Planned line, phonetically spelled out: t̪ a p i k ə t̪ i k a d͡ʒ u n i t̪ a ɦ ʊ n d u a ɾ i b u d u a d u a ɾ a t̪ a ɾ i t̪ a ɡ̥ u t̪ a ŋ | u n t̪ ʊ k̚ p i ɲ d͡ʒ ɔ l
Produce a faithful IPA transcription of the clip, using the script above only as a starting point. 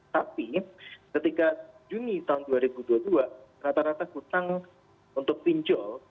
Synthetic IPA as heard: t̪ a p i k ə t̪ i k a d͡ʒ u n i t̪ a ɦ ʊ n d u a ɾ i b u d u a d u a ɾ a t̪ a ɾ a t̪ a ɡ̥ u t̪ a ŋ | u n t̪ ʊ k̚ p i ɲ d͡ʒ ɔ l